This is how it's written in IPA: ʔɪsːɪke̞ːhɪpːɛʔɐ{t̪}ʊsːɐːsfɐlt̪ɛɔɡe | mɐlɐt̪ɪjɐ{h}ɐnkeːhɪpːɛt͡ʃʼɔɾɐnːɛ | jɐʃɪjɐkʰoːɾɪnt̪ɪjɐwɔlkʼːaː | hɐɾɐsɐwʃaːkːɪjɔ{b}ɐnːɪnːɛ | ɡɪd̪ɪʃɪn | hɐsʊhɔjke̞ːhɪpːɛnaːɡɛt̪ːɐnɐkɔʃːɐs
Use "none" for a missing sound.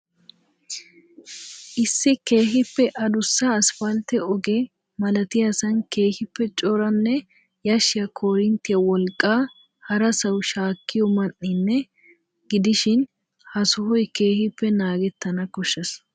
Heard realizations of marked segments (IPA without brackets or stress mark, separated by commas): d̪, s, m